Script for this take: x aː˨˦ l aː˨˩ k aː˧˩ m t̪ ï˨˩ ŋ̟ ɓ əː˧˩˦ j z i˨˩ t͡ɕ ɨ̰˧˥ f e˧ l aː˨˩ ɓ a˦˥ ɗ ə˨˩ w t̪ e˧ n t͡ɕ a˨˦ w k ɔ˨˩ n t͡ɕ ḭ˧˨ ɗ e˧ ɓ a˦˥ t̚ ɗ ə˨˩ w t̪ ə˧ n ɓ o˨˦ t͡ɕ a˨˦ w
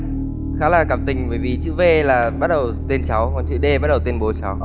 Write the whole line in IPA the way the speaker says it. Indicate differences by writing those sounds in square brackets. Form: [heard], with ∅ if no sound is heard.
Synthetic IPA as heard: x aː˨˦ l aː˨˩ k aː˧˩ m t̪ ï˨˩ ŋ̟ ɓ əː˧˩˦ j [v] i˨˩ t͡ɕ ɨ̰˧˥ [v] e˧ l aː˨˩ ɓ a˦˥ ɗ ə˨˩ w t̪ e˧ n t͡ɕ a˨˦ w k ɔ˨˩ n t͡ɕ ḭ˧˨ ɗ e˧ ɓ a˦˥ t̚ ɗ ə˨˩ w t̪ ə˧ n ɓ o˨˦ t͡ɕ a˨˦ w